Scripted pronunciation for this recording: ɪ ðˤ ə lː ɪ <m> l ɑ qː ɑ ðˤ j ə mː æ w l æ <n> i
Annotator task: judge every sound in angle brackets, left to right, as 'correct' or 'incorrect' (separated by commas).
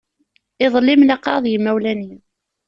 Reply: correct, correct